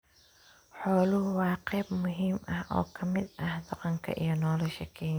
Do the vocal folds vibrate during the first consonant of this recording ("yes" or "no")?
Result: no